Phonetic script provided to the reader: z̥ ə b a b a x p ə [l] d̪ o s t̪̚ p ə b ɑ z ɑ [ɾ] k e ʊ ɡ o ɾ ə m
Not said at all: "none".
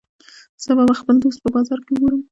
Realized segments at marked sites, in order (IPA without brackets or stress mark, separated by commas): l, ɾ